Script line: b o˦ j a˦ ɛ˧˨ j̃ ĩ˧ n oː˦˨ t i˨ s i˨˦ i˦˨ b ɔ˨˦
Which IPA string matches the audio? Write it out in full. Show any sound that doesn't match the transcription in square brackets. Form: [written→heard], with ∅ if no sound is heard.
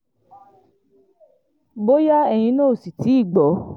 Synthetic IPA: b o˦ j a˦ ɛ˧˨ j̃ ĩ˧ n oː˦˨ [t→s] i˨ [s→t] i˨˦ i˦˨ [b→ɡ͡b] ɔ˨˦